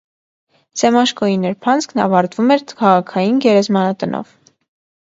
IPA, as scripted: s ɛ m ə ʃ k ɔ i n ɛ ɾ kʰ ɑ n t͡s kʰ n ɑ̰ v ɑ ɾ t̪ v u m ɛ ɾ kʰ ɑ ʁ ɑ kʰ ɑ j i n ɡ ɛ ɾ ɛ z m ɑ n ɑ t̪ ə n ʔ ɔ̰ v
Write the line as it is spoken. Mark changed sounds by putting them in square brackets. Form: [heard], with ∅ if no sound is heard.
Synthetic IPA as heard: s ɛ m [ɑ] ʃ k ɔ i n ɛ ɾ [pʰ] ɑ n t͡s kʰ n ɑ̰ v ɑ ɾ t̪ v u m ɛ ɾ kʰ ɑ ʁ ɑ kʰ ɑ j i n ɡ ɛ ɾ ɛ z m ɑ n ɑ t̪ ə n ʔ ɔ̰ v